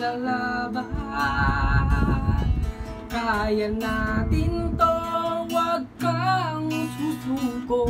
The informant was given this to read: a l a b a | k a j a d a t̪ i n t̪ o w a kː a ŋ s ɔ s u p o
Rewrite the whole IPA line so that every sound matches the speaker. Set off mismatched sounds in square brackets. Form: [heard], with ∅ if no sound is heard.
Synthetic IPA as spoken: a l a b a | k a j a [n] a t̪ i n t̪ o w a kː a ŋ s [u] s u [k] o